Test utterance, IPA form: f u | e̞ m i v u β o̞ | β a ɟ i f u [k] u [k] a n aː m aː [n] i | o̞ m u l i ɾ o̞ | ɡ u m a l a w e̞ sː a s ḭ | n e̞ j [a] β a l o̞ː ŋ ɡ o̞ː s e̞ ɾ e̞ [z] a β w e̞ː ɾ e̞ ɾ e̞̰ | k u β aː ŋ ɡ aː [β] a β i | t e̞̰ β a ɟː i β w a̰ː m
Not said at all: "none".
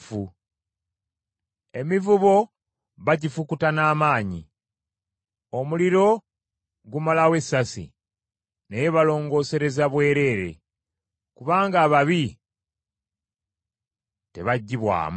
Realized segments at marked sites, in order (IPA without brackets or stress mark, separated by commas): k, t, ɲ, e, z, β